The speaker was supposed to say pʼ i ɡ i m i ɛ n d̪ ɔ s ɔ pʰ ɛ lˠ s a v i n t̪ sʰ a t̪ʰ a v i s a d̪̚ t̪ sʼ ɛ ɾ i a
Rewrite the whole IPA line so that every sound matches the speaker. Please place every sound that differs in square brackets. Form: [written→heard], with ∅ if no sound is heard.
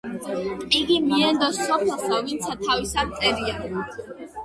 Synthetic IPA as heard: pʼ i ɡ i m i ɛ n d̪ ɔ s ɔ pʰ ɛ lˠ s a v i n t̪ sʰ a t̪ʰ a v i s a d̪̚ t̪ sʼ ɛ ɾ i a